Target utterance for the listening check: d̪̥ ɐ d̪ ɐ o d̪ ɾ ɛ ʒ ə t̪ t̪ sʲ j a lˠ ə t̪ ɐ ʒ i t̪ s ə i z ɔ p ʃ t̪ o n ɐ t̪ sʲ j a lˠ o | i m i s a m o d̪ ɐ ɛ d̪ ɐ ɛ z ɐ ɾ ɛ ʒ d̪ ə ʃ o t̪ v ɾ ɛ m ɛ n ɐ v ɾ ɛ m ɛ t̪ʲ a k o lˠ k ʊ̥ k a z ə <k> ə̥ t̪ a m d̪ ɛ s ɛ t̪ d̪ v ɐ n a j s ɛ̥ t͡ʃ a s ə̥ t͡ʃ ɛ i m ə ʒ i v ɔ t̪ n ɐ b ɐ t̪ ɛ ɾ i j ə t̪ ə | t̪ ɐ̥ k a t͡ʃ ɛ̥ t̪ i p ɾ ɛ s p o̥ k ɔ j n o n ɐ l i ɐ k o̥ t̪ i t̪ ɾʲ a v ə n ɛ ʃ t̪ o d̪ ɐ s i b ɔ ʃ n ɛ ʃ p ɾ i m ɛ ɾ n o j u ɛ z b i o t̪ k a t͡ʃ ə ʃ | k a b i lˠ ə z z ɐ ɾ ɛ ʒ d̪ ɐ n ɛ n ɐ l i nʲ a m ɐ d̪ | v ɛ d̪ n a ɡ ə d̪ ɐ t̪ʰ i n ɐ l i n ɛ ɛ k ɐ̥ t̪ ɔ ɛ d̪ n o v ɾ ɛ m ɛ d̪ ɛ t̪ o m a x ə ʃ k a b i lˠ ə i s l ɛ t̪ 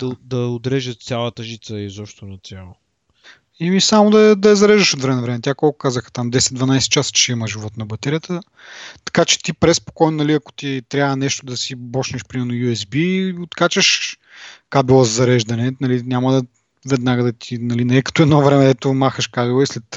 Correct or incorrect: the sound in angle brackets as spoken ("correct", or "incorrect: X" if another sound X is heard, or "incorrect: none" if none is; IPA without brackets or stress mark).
incorrect: x